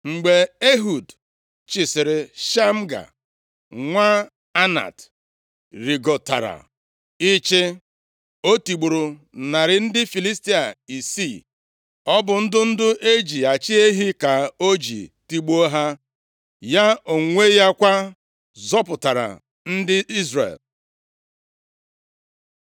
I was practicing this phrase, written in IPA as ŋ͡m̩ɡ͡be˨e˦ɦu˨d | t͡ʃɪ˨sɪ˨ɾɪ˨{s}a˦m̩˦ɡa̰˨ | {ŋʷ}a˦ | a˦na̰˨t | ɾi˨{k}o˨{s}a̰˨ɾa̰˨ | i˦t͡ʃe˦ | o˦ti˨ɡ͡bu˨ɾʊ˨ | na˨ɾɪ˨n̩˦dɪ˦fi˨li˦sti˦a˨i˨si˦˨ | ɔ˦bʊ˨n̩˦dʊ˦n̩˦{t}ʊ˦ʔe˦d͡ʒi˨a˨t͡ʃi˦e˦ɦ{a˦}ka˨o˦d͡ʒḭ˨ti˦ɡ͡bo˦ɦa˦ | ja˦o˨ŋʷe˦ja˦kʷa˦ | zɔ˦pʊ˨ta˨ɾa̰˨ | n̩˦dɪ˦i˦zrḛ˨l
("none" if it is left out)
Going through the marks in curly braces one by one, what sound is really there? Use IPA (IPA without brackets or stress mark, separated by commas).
ʃ, ŋʷ, ɡ, t, d, i˦